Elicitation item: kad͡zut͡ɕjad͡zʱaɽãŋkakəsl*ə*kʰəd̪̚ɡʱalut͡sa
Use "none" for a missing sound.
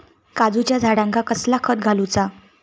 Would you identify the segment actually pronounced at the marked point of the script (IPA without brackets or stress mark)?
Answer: a